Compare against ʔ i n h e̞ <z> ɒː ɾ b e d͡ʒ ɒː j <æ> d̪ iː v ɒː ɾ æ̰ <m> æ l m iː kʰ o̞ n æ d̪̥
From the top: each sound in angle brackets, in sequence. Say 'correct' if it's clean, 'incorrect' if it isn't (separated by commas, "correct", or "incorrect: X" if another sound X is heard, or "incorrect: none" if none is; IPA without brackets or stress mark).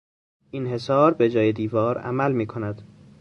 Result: incorrect: s, incorrect: e, correct